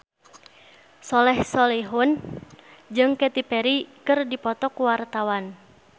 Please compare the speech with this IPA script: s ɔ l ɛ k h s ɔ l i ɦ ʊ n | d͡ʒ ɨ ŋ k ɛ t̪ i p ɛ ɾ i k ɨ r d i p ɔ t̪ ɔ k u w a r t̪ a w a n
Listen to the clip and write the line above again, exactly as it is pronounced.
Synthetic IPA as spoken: s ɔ l ɛ h s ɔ l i ɦ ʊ n | d͡ʒ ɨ ŋ k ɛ t̪ i p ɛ ɾ i k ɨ r d i p ɔ t̪ ɔ k u w a r t̪ a w a n

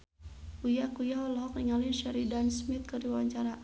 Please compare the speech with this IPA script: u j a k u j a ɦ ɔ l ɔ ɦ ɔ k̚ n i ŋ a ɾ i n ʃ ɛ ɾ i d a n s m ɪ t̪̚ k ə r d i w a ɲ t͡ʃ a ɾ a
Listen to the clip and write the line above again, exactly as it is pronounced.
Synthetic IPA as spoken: u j a k u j a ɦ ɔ l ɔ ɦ ɔ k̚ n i ŋ a l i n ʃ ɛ ɾ i d a n s m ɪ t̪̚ k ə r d i w a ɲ t͡ʃ a ɾ a

